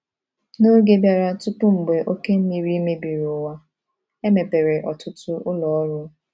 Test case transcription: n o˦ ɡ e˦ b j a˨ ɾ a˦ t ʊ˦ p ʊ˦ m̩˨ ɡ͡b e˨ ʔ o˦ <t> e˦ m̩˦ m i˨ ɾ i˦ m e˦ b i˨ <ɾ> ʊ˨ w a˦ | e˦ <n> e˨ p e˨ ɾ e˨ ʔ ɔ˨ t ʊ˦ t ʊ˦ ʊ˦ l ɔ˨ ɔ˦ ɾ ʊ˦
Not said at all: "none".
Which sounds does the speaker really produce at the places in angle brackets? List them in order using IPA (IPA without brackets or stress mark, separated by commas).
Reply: k, ɾ, m